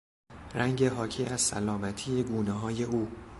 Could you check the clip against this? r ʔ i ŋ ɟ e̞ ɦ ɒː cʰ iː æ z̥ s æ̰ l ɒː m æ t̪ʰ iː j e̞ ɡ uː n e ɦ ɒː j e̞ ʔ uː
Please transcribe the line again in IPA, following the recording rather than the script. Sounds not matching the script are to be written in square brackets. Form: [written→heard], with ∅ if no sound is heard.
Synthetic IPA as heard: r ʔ [i→æ] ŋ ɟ e̞ ɦ ɒː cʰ iː æ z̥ s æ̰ l ɒː m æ t̪ʰ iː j e̞ ɡ uː n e ɦ ɒː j e̞ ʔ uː